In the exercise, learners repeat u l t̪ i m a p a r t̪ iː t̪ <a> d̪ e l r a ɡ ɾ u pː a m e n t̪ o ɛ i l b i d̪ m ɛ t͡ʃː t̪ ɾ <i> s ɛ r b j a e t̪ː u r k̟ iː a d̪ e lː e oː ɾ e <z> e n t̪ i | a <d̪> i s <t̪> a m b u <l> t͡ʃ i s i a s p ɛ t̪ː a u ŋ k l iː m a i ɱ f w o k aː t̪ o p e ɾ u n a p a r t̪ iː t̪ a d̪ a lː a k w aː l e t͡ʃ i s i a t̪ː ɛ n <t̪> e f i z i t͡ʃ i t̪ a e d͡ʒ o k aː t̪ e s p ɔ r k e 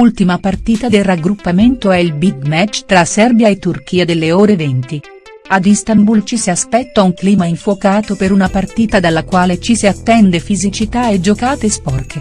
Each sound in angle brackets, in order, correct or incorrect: correct, incorrect: a, incorrect: v, correct, correct, correct, incorrect: d̪

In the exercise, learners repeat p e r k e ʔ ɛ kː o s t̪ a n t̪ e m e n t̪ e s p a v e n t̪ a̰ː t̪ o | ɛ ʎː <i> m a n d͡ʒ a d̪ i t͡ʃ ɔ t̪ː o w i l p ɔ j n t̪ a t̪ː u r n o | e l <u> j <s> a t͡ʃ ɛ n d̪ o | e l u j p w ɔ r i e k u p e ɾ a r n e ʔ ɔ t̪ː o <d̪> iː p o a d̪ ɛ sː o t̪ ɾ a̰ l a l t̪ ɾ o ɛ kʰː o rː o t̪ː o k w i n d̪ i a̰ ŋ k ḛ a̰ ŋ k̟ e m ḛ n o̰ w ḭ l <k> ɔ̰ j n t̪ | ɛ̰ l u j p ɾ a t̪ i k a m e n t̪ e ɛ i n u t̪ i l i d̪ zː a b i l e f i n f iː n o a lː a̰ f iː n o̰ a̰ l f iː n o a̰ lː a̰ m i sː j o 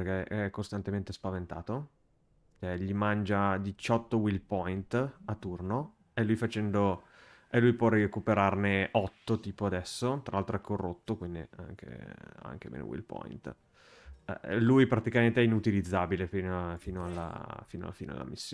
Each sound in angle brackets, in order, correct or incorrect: correct, correct, incorrect: f, incorrect: t̪, incorrect: p

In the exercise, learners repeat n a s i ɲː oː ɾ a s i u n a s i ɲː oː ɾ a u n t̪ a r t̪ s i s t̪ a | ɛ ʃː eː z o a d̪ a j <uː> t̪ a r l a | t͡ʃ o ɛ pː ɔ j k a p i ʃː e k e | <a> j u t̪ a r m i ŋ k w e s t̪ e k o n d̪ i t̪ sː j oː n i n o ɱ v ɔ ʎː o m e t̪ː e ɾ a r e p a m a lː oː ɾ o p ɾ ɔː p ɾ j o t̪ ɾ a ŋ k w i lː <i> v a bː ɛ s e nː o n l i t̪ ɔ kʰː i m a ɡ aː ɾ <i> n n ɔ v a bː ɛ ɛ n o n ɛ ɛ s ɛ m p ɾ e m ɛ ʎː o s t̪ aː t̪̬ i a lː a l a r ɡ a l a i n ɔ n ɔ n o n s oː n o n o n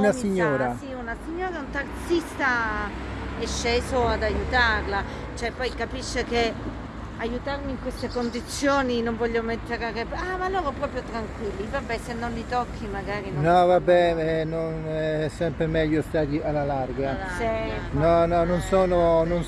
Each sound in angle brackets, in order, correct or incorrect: incorrect: u, correct, correct, correct

